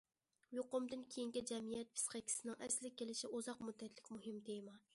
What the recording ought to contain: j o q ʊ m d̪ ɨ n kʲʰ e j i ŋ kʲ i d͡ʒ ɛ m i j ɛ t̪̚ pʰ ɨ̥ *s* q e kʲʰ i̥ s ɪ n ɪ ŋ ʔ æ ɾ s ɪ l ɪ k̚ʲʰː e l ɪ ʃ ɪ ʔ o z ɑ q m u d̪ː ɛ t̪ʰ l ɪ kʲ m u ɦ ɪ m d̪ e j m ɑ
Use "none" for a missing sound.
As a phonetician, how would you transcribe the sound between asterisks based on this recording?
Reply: s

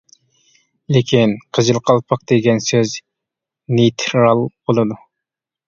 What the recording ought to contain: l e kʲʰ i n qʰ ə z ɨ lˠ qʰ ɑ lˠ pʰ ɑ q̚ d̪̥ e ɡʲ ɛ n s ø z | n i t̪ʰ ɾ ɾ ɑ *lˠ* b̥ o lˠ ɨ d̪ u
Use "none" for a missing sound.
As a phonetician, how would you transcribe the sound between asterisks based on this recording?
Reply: lˠ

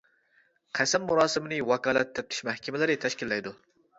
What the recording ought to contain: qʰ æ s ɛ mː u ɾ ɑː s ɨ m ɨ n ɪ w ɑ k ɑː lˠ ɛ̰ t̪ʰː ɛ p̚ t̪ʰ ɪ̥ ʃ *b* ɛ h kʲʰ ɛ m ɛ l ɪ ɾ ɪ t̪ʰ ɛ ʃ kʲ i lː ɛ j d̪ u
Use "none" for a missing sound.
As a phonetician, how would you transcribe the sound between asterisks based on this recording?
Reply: m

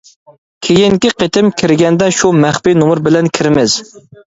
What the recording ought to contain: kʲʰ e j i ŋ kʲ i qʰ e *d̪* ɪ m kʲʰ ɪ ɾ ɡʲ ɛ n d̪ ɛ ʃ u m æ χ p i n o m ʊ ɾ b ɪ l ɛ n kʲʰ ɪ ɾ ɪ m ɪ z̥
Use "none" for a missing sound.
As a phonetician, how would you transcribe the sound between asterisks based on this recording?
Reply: t̪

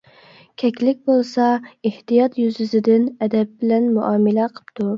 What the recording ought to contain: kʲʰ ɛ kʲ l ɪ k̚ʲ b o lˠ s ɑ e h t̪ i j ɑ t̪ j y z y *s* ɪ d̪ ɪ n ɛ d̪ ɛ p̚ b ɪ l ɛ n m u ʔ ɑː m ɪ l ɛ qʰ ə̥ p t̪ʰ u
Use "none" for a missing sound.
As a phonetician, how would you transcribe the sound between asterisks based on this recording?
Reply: z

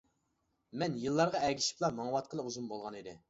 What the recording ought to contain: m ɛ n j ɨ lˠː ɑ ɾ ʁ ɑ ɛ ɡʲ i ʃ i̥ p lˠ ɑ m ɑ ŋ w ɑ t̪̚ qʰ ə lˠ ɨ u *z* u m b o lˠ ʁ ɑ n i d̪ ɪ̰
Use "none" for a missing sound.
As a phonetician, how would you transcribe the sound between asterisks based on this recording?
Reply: z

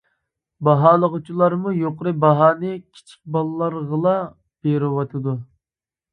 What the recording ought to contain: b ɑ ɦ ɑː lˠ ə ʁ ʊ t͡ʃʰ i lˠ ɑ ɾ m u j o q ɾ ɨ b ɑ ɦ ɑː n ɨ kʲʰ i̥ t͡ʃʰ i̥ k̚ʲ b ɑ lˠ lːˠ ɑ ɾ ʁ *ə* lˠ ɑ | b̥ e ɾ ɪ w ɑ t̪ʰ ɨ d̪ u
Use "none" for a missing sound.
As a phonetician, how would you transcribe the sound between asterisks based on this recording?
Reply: ə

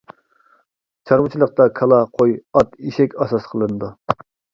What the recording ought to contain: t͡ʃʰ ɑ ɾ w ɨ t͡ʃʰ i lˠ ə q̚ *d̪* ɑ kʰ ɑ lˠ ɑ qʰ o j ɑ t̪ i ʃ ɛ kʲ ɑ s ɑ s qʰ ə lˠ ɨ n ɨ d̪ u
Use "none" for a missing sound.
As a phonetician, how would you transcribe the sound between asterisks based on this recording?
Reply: t̪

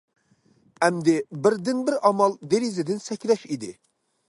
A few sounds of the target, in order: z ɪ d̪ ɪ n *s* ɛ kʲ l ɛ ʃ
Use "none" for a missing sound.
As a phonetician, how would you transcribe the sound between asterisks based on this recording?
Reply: s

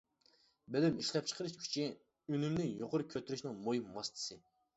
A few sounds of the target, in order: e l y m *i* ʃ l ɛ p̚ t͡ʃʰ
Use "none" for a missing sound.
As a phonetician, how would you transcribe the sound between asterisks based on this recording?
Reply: i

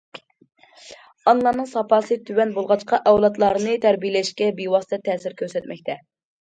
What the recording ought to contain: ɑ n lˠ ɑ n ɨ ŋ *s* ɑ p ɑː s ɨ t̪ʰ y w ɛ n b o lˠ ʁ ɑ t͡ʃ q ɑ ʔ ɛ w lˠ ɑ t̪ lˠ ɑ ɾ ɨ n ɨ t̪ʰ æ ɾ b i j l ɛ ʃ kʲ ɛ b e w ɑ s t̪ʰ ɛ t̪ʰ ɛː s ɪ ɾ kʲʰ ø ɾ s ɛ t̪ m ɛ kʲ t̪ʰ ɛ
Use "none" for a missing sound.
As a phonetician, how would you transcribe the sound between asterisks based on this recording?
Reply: s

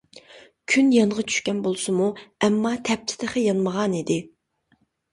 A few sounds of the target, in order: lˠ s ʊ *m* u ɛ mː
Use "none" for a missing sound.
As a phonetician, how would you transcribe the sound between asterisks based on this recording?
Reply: m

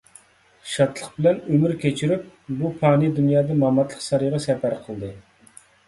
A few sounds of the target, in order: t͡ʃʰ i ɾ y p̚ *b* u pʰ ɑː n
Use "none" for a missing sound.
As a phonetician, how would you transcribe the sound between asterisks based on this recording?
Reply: b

